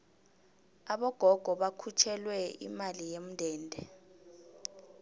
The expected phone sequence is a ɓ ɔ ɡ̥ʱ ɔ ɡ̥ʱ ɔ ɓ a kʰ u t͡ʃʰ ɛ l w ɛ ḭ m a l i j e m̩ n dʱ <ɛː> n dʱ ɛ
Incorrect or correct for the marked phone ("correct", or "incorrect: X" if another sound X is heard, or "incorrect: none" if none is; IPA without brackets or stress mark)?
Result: correct